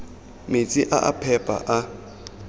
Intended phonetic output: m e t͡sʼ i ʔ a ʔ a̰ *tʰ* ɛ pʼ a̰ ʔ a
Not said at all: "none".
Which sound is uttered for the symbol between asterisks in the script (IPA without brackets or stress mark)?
pʰ